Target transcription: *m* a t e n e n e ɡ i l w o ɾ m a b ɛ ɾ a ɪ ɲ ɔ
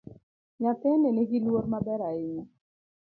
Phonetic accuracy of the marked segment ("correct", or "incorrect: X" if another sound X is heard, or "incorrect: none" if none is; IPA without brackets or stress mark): incorrect: ɲ